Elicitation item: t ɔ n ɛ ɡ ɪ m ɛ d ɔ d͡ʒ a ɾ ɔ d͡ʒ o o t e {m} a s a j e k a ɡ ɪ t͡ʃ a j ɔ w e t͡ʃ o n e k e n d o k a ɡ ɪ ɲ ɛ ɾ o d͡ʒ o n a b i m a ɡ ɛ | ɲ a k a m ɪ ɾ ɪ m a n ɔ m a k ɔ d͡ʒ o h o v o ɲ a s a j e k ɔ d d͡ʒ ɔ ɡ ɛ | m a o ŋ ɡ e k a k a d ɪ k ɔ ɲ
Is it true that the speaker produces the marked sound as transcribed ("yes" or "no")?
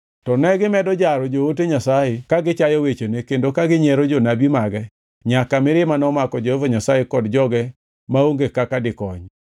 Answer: no